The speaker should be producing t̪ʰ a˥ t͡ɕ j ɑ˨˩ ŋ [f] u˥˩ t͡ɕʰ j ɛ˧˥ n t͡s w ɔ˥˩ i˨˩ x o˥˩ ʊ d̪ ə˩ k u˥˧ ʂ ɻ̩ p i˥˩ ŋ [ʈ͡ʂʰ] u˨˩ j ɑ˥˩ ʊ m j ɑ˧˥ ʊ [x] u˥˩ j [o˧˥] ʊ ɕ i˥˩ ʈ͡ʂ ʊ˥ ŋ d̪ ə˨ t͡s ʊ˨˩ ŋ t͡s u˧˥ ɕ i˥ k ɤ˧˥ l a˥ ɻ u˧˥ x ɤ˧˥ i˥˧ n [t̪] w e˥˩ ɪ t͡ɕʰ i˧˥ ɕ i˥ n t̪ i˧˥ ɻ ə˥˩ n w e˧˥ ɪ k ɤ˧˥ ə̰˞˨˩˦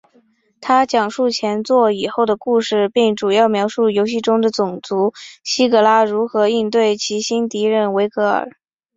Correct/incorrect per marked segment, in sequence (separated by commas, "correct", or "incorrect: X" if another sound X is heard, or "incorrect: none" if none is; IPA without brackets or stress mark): incorrect: ʂ, incorrect: ʈ͡ʂ, incorrect: ʂ, correct, correct